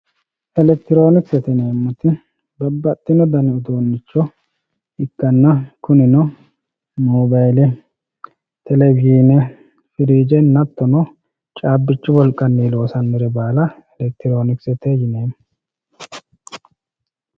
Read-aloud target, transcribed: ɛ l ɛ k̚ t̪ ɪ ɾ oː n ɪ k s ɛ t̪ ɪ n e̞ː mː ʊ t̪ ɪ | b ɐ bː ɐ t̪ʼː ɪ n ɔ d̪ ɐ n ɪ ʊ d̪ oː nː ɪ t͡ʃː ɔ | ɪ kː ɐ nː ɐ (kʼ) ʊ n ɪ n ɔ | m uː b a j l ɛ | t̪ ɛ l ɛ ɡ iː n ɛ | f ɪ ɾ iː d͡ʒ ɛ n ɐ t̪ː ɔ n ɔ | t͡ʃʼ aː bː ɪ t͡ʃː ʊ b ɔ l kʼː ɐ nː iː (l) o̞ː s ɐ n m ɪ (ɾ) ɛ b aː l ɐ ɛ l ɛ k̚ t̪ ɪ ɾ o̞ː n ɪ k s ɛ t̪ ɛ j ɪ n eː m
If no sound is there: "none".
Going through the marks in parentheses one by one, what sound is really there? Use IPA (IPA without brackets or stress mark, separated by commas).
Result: k, l, ɾ